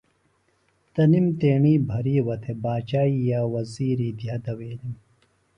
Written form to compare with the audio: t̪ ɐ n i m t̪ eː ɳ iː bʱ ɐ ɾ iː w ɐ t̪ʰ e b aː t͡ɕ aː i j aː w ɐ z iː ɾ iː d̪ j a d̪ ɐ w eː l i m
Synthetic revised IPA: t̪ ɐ n i m t̪ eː ɳ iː bʱ ɐ ɾ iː w ɐ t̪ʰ e b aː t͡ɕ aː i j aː w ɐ z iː ɾ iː d̪ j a d̪ ɐ w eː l i m